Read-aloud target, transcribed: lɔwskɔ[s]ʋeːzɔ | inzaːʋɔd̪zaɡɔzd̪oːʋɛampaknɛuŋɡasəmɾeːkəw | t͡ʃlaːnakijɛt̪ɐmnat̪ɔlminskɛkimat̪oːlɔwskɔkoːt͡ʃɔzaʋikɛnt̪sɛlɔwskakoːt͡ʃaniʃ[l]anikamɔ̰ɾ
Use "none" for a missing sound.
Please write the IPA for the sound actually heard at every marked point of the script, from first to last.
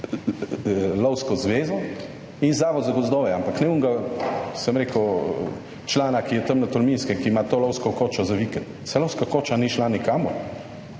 z, l

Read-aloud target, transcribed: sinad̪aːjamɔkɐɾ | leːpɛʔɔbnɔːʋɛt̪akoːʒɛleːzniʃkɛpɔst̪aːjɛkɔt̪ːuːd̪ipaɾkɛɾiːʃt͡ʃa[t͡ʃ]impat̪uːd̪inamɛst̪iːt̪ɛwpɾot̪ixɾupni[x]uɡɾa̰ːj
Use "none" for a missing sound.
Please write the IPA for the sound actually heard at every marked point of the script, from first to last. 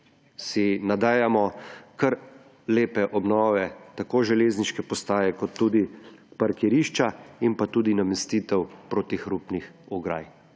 none, x

